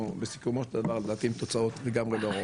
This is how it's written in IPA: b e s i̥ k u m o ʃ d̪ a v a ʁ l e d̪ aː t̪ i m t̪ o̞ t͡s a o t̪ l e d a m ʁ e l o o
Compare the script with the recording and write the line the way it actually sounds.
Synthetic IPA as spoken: b e s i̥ k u m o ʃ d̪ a v a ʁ l e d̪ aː t̪ i m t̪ o̞ t͡s a o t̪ l e ɡ a m ʁ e l o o